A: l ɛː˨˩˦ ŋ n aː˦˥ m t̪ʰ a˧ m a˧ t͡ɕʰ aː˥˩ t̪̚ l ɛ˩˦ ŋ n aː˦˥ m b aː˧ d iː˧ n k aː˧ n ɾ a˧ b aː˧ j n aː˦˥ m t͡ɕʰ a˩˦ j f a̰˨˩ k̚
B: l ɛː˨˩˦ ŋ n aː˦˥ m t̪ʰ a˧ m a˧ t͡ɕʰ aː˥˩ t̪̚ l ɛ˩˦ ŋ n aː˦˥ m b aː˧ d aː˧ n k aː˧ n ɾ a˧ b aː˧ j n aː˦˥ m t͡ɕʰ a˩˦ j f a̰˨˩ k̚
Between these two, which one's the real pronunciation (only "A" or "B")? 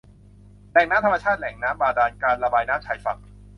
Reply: B